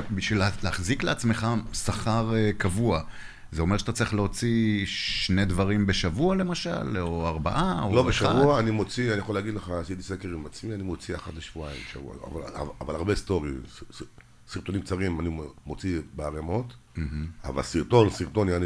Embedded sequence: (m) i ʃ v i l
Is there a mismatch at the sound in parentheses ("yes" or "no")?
yes